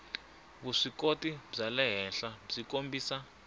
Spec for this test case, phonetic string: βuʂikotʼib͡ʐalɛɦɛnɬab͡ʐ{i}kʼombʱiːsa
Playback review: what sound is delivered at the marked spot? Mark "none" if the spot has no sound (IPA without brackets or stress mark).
i